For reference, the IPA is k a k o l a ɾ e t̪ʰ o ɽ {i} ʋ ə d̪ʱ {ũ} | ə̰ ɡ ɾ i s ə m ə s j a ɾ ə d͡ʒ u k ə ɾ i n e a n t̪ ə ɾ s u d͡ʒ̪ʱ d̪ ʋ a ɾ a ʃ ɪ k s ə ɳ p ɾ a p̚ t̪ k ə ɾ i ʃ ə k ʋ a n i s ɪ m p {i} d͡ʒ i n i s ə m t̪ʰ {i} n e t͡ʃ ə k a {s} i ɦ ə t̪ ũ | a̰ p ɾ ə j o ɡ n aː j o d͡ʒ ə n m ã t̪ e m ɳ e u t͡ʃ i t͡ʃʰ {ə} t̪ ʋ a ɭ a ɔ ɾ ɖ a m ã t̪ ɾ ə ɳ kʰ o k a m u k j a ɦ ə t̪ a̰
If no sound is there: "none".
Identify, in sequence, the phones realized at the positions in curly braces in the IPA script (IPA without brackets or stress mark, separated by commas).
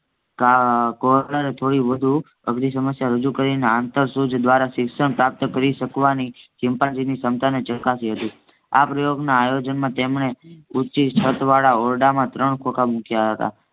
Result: i, u, a, a, s, ə